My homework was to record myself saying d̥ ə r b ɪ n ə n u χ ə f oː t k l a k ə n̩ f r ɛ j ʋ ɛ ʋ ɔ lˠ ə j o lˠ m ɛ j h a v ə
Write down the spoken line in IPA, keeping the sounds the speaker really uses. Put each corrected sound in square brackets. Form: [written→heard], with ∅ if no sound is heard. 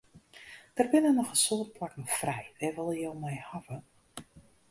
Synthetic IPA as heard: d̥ ə r b ɪ n ə n [u→ɔ] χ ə [f→s] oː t [k→p] l a k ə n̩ f r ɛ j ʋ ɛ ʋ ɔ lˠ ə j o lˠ m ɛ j h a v ə